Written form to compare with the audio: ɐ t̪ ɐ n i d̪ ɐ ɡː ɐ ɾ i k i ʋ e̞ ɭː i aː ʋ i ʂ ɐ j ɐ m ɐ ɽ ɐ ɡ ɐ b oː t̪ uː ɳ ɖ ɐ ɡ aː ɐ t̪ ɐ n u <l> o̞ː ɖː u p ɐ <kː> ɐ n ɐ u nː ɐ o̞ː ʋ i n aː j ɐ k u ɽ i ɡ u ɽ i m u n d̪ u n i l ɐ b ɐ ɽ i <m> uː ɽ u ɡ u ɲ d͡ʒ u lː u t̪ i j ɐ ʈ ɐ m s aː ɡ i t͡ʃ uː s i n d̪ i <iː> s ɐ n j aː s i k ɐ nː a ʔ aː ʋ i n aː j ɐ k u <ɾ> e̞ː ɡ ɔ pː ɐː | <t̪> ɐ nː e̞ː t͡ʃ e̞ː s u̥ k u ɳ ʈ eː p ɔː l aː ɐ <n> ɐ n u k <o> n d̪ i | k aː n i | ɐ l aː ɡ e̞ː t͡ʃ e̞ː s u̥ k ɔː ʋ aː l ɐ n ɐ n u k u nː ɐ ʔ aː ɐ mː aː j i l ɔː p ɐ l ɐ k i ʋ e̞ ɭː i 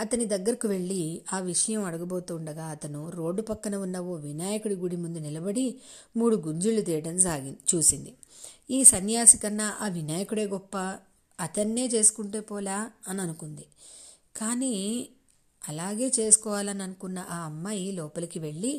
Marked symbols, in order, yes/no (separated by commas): no, yes, yes, yes, no, yes, yes, no